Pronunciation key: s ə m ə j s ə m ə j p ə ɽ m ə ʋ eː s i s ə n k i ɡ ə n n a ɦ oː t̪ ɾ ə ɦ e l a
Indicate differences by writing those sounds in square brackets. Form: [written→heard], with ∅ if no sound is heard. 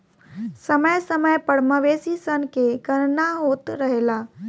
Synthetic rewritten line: s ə m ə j s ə m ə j p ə ɽ m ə ʋ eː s i s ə n k [i→e] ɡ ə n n a ɦ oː t̪ ɾ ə ɦ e l a